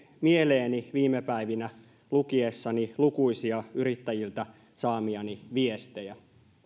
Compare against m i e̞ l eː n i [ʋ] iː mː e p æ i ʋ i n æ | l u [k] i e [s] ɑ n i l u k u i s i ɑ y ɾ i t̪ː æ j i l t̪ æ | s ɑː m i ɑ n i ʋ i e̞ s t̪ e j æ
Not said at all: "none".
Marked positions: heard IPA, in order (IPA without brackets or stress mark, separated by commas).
ʋ, k, sː